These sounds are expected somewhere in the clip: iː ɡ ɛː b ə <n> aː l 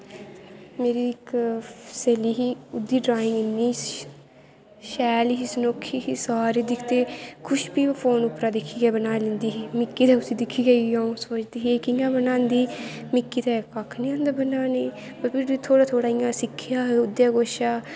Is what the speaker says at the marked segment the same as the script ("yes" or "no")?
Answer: yes